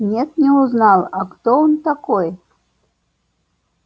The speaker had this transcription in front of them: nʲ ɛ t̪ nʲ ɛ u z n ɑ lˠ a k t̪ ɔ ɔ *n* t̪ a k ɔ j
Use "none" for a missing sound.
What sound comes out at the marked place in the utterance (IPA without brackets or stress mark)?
n